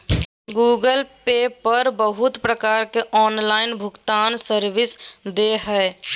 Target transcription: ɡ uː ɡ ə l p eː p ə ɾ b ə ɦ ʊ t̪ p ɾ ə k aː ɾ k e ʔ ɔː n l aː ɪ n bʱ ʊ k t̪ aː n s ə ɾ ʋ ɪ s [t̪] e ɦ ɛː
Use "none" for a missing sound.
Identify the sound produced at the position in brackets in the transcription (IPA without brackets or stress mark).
d̪